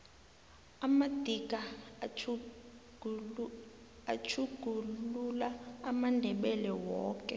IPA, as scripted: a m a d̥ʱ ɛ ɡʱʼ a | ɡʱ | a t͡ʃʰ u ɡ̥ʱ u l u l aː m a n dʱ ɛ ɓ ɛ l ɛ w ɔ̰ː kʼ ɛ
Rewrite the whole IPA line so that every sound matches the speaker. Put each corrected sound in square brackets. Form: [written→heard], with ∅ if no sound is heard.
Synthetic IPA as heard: a m a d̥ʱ [ɛ→i] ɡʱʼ a | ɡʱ | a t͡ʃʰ u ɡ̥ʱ u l u l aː m a n dʱ ɛ ɓ ɛ l ɛ w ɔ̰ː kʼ ɛ